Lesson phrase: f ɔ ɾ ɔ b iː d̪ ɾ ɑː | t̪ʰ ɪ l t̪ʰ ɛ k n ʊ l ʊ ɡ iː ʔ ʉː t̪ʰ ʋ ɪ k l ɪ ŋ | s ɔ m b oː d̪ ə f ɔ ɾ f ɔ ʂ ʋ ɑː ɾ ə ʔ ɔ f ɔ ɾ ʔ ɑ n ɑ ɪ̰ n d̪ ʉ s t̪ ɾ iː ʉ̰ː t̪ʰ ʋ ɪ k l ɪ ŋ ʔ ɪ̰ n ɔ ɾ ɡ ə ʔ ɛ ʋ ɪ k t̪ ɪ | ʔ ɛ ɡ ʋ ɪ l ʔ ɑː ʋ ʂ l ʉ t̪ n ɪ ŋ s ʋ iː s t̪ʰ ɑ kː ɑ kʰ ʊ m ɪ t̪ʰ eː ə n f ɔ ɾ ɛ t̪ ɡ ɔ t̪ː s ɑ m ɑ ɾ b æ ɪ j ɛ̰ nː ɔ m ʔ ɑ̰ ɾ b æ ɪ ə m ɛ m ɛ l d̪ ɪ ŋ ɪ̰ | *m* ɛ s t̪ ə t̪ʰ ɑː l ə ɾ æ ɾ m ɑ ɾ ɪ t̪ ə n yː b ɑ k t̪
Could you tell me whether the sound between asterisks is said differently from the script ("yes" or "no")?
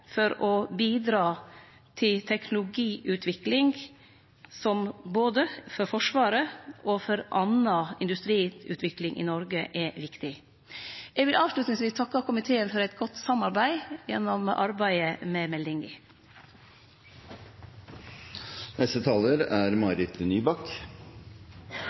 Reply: yes